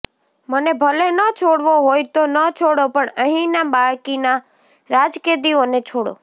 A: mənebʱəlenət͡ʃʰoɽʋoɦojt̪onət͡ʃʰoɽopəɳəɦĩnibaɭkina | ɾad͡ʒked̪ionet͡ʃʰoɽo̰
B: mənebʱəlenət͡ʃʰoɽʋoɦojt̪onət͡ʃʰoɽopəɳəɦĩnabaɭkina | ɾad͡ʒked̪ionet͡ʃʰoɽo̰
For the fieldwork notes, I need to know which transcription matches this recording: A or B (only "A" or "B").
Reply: B